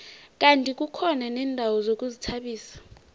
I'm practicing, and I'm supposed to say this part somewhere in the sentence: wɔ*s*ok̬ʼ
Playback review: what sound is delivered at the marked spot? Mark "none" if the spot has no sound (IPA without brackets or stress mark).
z